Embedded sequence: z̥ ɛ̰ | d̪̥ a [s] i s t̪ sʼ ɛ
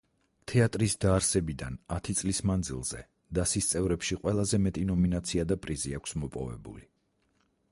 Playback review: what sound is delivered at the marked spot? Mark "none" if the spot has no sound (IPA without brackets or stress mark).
s